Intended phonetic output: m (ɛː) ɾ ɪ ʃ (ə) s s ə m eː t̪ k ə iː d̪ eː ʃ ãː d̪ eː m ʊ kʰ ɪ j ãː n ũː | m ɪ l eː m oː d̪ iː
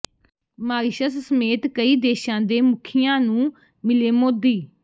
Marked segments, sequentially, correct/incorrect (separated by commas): incorrect, correct